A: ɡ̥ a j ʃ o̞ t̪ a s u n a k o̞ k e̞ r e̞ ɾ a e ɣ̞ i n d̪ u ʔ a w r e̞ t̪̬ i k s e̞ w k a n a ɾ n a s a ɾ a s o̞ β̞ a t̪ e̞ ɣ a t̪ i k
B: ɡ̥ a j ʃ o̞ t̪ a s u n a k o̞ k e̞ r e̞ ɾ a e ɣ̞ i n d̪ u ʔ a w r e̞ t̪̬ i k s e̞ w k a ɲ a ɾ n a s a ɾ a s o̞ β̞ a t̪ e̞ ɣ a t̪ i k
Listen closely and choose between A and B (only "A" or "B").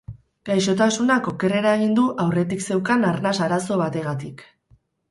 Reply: A